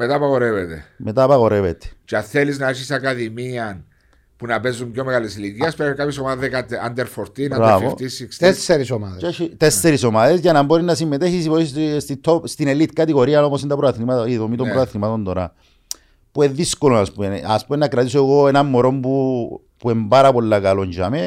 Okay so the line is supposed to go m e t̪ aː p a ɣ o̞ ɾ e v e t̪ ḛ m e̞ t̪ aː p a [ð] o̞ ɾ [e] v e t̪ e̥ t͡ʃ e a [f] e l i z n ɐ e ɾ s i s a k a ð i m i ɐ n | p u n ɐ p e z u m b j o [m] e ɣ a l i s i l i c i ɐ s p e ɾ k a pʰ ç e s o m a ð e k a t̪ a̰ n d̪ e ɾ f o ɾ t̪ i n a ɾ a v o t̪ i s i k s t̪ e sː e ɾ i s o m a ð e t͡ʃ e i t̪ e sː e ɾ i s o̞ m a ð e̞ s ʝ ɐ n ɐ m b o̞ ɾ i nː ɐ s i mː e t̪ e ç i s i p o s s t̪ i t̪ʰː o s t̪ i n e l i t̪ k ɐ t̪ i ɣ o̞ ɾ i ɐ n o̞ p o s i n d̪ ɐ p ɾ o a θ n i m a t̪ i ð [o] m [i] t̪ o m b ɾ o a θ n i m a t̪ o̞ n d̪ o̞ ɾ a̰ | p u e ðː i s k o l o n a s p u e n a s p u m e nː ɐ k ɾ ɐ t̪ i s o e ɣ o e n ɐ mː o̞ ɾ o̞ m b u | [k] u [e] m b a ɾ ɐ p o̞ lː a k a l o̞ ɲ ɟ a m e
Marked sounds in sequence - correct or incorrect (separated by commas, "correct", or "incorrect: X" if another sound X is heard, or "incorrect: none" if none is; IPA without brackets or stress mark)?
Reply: incorrect: ɣ, correct, incorrect: θ, correct, correct, correct, incorrect: p, correct